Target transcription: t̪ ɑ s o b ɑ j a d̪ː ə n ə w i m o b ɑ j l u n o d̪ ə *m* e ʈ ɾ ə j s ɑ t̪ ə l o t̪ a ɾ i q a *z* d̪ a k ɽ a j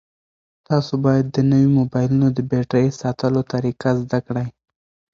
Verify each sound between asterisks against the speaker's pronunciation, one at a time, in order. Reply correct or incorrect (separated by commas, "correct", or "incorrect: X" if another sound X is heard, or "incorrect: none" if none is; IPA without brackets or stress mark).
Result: incorrect: b, correct